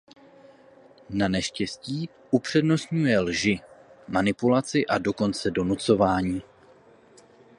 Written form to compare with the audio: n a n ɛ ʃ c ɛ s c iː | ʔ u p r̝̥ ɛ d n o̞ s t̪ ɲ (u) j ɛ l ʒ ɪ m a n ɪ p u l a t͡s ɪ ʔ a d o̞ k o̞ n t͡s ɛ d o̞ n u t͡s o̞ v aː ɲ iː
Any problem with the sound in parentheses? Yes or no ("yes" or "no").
no